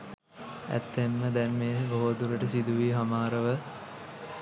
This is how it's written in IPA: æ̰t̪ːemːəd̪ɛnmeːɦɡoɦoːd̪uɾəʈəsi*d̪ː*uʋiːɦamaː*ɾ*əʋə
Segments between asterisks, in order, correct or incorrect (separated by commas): incorrect, correct